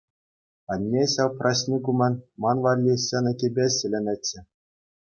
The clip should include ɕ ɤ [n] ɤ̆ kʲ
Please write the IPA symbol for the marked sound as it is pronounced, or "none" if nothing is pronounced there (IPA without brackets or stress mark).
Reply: n